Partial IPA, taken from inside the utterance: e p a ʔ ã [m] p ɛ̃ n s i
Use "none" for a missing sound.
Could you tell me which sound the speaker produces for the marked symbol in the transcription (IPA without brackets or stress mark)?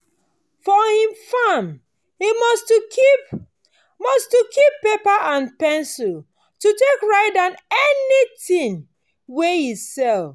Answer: n